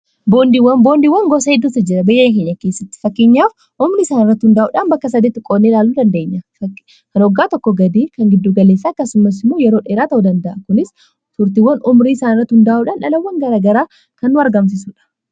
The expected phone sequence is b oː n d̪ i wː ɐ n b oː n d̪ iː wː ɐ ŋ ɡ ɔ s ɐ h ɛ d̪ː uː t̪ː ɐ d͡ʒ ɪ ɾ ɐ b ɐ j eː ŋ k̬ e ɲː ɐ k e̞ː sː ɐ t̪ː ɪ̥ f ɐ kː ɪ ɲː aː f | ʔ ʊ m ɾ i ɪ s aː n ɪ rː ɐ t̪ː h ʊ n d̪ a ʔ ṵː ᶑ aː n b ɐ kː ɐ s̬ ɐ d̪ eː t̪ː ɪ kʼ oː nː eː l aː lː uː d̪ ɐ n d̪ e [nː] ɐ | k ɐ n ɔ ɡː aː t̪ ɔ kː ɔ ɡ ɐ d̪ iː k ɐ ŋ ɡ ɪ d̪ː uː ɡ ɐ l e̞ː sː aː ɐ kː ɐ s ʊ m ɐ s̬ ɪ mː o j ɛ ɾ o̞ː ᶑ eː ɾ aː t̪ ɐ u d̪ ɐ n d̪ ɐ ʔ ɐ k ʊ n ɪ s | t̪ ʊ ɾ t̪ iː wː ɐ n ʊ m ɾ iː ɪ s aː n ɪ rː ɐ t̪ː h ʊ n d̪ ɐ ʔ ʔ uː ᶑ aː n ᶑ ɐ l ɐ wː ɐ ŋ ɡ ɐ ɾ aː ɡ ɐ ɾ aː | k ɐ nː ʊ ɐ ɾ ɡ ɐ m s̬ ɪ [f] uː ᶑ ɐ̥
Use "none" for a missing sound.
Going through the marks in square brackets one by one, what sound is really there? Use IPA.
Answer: ɲː, s

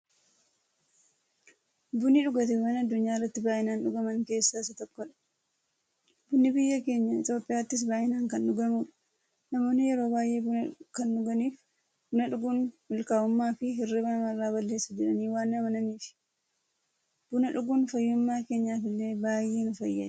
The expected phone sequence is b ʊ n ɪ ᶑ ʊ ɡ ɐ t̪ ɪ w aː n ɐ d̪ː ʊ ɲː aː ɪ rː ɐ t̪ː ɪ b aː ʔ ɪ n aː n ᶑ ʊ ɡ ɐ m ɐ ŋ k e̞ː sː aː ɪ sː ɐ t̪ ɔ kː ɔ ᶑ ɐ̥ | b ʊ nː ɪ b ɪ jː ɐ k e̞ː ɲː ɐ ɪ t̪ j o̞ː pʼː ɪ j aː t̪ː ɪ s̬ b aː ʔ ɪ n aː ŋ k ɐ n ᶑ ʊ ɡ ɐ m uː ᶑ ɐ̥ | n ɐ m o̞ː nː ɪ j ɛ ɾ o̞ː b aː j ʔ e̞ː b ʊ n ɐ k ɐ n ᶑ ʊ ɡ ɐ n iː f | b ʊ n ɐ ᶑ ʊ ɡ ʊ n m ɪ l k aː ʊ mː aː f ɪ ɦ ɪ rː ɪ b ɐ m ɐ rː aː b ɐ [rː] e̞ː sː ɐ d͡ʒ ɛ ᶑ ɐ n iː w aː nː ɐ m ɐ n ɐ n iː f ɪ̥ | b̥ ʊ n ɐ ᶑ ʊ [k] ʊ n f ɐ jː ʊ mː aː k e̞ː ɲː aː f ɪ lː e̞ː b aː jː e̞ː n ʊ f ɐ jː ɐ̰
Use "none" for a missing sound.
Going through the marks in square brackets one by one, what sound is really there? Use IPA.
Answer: lː, ɡ

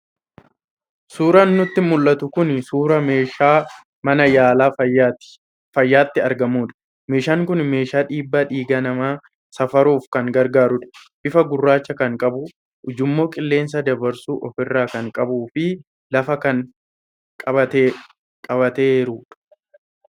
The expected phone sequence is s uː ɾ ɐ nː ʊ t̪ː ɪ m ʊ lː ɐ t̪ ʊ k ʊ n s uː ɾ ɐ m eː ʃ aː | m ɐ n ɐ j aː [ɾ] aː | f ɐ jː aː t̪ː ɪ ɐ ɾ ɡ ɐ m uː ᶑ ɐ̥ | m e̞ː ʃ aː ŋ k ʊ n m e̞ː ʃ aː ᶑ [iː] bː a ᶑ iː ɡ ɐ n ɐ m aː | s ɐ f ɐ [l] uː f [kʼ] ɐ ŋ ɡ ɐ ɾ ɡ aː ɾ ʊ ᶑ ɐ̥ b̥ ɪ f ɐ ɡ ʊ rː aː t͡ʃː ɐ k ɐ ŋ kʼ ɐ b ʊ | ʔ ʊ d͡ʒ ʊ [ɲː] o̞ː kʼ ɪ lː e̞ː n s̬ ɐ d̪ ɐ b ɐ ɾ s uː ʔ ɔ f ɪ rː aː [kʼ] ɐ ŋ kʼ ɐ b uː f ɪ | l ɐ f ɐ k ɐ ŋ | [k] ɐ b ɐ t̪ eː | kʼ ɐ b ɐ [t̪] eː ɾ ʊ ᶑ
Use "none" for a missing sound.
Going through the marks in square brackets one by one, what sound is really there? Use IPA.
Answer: l, iː, ɾ, k, mː, k, kʼ, t̪

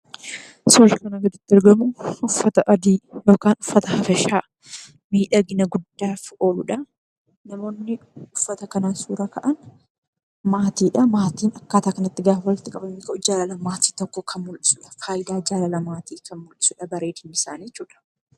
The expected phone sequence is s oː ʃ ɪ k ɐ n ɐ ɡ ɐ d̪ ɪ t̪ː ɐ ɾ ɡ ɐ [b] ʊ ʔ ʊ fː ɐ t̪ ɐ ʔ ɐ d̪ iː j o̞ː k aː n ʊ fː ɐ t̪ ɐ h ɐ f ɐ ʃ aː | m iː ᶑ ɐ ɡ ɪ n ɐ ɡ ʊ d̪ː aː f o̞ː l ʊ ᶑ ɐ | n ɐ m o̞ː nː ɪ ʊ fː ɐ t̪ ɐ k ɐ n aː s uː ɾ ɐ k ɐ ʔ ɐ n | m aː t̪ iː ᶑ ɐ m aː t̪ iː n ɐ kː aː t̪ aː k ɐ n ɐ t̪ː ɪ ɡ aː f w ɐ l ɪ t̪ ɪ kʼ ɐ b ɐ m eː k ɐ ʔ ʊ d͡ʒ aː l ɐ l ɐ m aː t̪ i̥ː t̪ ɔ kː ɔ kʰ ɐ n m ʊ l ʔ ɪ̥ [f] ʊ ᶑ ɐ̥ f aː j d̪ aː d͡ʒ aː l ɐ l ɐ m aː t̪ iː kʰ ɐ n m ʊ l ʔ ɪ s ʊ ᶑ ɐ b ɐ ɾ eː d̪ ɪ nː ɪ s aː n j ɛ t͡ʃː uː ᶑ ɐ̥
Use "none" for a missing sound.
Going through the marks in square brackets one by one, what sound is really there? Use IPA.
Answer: m, s

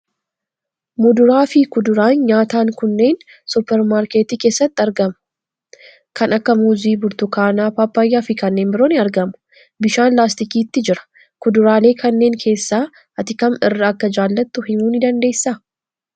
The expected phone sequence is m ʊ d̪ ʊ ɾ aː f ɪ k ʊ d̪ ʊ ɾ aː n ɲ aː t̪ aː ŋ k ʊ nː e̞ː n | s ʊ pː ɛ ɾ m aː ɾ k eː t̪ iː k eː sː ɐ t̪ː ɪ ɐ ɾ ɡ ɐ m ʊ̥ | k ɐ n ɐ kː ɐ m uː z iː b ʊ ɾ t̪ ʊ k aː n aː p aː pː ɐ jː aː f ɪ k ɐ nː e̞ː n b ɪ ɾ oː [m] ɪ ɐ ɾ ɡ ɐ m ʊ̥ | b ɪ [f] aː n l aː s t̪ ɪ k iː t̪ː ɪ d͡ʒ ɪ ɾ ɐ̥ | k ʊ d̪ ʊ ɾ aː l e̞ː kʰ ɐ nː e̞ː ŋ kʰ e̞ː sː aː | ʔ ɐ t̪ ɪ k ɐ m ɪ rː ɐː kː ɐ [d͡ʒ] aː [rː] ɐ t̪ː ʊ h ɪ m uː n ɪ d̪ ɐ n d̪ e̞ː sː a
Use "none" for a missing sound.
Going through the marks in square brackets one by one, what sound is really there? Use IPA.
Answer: n, ʃ, d͡ʒ, lː

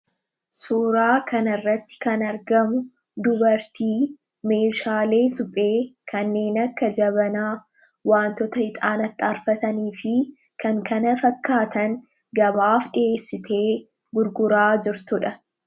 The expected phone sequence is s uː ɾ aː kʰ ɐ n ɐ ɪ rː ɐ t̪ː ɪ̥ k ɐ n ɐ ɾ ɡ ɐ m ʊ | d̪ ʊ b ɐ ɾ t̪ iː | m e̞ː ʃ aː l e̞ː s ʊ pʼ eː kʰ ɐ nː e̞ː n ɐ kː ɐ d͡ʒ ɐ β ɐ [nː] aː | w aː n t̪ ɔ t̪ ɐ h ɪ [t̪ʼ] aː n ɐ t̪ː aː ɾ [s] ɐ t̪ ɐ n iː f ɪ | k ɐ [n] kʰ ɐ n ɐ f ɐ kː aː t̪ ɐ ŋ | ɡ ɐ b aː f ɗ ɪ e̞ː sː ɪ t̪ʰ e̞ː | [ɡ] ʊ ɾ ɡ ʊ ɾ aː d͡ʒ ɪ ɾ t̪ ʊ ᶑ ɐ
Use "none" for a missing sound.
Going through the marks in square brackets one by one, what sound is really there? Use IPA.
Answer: n, t̪ʼ, f, ŋ, ɡ

